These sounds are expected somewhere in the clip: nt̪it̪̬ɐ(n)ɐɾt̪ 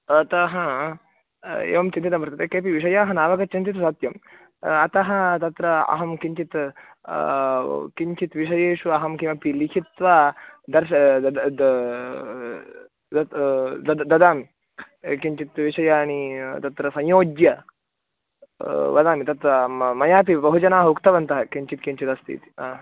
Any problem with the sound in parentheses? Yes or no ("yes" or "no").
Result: yes